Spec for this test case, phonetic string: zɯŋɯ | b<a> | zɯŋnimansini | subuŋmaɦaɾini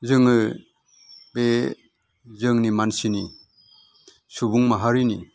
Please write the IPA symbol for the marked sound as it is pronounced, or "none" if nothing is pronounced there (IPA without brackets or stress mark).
e